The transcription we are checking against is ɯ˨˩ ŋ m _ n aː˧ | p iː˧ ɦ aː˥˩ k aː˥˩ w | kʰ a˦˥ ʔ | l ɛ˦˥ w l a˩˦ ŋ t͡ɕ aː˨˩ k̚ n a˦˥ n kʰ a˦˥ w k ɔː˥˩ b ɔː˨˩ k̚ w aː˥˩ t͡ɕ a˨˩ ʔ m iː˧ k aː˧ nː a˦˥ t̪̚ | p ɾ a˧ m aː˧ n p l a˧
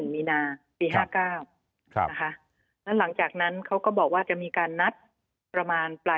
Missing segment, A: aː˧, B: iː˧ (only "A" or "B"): B